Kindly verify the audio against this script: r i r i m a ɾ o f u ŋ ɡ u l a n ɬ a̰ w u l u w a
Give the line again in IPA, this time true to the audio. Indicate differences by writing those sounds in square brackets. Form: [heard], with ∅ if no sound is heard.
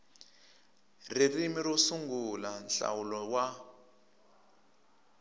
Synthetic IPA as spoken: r i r i m [i] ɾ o [s] u ŋ ɡ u l a n ɬ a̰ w u l [ɔ] w a